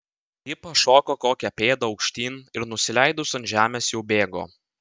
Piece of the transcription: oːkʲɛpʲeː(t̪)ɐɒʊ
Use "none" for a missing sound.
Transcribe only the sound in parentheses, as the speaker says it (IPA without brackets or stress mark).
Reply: d̪